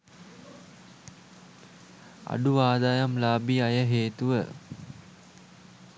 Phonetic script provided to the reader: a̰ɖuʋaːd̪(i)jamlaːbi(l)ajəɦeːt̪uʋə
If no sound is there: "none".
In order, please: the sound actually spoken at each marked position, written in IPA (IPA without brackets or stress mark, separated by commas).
a, none